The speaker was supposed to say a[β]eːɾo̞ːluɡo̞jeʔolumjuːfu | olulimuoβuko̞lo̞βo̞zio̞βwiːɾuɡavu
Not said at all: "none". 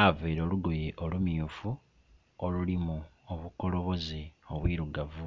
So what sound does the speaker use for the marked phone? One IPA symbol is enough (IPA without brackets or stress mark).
v